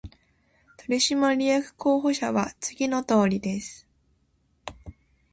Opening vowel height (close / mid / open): mid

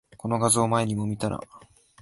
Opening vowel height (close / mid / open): mid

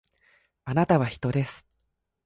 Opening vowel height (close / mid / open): open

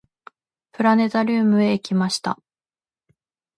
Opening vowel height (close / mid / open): close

